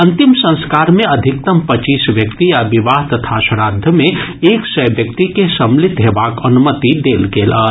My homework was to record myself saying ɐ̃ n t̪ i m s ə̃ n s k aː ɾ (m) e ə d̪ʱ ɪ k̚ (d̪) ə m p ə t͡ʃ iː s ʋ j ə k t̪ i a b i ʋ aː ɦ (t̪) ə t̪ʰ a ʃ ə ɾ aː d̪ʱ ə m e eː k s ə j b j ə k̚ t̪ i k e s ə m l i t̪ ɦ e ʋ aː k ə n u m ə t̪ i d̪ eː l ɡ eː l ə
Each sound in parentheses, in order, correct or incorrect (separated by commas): correct, incorrect, correct